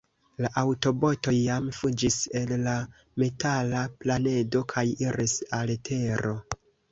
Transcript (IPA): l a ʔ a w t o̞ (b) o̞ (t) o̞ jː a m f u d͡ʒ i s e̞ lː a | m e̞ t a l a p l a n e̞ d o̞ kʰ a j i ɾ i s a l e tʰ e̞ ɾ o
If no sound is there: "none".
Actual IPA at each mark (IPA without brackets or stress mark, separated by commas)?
b, t